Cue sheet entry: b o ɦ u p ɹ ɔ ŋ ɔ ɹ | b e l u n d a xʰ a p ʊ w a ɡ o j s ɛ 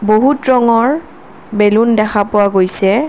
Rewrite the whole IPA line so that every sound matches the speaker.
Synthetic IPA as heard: b o ɦ u t ɹ ɔ ŋ ɔ ɹ | b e l u n d ɛ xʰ a p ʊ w a ɡ o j s ɛ